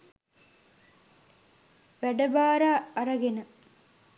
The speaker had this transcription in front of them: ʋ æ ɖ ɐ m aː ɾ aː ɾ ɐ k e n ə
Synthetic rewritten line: ʋ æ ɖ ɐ b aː ɾ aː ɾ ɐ ɡ e n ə

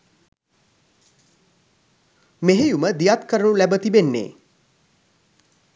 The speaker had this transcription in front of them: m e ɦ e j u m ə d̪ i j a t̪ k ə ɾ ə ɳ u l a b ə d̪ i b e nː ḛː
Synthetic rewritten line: m e ɦ e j u m ə d̪ i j a t̪ k ə ɾ ə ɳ u l æ b ə t̪ i b e nː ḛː

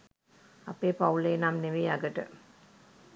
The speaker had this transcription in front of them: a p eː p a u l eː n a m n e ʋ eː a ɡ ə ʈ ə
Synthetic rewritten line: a p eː p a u l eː n a m n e ʋ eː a ɡ ə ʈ ə

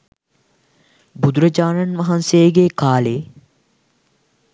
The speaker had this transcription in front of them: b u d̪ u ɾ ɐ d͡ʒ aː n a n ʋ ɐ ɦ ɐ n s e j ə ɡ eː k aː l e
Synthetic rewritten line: b u d̪ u ɾ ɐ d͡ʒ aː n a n ʋ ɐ ɦ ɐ n s e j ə ɡ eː k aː l e

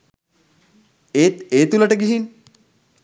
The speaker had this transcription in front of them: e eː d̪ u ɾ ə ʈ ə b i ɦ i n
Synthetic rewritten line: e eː t̪ u l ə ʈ ə ɡ i ɦ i n

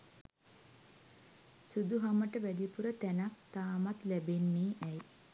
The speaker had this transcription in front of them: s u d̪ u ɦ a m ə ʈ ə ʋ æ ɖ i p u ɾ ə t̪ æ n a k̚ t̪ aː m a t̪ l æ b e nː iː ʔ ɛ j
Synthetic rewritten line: s u d̪ u ɦ a m ə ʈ ə ʋ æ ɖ i p u ɾ ə t̪ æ n a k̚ t̪ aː m a t̪ l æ b e nː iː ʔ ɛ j

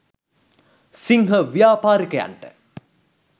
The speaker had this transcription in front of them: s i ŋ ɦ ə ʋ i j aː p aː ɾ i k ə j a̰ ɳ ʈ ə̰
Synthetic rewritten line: s i ŋ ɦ ə ʋ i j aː p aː ɾ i k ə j a̰ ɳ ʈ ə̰

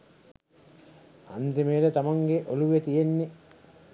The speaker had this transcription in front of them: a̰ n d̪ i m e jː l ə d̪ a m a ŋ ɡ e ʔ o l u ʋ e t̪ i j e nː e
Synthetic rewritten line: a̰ n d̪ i m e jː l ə t̪ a m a ŋ ɡ e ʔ o l u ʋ e t̪ i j e nː e

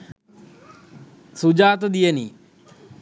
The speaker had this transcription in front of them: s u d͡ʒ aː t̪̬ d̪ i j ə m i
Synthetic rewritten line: s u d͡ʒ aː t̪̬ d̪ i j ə n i

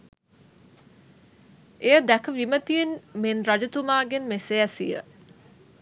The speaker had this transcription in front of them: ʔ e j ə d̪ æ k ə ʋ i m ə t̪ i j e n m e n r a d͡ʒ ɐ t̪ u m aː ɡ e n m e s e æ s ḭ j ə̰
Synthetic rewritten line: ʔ e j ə d̪ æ k ə ʋ i m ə t̪ i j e n m e n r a d͡ʒ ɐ t̪ u m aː ɡ e n m e s e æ s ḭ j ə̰

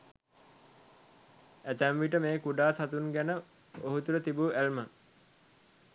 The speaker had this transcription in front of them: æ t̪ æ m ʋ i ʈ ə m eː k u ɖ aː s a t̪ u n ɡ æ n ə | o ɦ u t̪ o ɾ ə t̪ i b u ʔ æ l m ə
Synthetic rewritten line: æ t̪ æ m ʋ i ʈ ə m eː k u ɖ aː s a t̪ u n ɡ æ n ə | o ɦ u t̪ u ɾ ə t̪ i b u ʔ æ l m ə

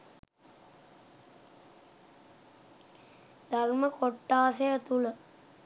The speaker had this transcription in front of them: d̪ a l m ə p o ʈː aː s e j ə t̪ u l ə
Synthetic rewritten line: d̪ a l m ə k o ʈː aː s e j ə t̪ u l ə

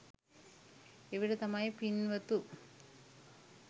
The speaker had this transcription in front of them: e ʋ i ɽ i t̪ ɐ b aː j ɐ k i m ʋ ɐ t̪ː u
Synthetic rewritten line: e ʋ i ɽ e t̪ ɐ m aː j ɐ p i n ʋ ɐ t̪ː u

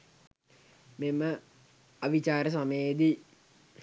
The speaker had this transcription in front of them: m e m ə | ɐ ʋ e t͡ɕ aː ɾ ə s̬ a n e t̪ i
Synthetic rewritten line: m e m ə | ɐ ʋ i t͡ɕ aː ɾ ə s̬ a m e d̪ i

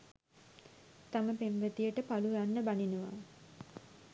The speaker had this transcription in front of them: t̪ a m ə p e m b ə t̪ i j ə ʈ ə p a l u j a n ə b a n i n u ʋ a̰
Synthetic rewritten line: t̪ a m ə p e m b ə t̪ i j ə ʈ ə p a l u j a nː ə b a n i n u ʋ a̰

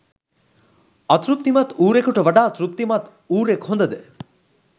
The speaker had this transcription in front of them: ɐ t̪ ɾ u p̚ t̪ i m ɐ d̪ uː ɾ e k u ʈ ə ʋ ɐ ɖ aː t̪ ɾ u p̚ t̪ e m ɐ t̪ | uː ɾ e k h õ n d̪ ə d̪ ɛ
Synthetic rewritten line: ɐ t̪ ɾ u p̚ t̪ i m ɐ t̪ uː ɾ e k u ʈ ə ʋ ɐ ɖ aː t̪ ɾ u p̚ t̪ i m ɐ t̪ | uː ɾ e k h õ n d̪ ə d̪ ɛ

